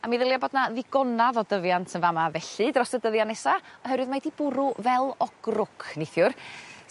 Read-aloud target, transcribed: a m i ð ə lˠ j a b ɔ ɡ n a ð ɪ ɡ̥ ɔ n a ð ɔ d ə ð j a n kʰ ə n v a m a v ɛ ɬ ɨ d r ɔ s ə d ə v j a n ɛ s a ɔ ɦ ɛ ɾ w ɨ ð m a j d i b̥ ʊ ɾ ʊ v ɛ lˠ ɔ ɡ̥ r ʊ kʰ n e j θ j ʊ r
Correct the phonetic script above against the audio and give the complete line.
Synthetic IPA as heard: a m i ð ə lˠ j a b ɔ d n a ð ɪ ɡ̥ ɔ n a ð ɔ d ə v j a n tʰ ə n v a m a v ɛ ɬ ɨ d r ɔ s ə d ə ð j a n ɛ s a ɔ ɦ ɛ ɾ w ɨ ð m a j d i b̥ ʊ ɾ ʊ v ɛ lˠ ɔ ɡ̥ r ʊ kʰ n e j θ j ʊ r